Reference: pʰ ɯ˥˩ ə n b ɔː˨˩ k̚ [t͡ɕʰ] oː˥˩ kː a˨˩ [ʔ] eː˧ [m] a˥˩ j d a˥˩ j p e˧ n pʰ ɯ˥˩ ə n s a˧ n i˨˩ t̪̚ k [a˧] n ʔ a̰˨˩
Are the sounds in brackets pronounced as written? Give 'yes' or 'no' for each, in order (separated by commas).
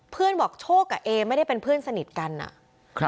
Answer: yes, yes, yes, yes